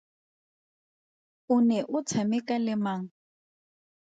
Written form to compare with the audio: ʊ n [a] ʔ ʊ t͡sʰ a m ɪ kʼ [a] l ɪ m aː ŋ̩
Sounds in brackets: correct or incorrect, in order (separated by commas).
incorrect, correct